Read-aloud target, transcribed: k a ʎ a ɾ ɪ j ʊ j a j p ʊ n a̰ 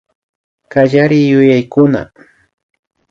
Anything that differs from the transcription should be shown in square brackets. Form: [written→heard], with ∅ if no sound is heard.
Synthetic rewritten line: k a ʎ a ɾ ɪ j ʊ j a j [p→k] ʊ n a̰